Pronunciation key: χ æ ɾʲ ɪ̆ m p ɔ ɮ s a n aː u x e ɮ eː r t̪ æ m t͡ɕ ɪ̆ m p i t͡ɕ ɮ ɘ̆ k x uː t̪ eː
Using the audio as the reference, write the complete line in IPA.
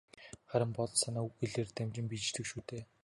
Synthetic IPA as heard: χ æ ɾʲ ɪ̆ m p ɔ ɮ s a n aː u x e ɮ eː r t̪ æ m t͡ɕ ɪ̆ m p i t͡ɕ ɮ ɘ̆ k ʃ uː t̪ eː